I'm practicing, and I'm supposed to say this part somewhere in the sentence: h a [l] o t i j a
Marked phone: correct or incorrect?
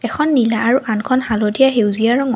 correct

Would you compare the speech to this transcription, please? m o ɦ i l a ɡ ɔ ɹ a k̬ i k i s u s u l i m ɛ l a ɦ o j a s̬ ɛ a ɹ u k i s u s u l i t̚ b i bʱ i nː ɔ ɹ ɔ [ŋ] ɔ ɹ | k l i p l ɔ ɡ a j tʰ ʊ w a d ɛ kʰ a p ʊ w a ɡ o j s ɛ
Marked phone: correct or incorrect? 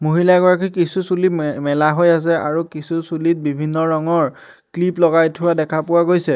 correct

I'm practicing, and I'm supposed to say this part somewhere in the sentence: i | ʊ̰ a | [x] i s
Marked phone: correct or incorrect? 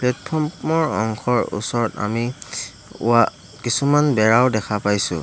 incorrect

